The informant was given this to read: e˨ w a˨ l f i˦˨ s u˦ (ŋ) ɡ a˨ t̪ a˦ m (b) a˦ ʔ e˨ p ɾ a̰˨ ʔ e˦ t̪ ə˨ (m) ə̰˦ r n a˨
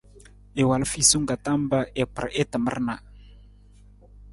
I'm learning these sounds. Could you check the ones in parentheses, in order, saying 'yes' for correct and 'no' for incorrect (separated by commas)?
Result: yes, yes, yes